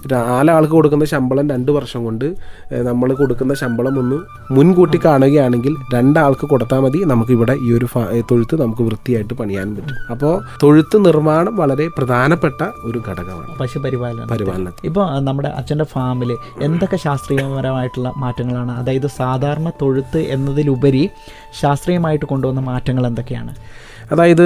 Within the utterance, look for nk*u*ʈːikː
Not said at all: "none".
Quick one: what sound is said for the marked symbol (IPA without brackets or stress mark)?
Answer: uː